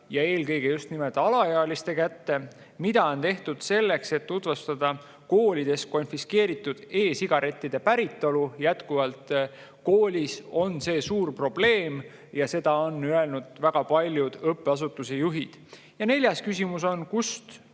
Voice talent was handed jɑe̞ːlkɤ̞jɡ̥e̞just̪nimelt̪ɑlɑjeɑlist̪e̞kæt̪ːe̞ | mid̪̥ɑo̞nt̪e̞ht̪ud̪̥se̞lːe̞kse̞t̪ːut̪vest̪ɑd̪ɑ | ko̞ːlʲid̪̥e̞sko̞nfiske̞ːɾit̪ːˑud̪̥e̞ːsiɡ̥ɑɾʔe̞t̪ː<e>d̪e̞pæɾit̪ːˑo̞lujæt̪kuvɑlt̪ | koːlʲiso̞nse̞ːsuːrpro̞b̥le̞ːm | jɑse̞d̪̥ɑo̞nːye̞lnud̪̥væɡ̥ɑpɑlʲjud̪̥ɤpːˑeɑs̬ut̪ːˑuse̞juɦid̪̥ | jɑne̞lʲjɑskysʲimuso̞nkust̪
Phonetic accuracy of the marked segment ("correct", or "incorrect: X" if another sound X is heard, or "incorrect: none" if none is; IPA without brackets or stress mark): incorrect: i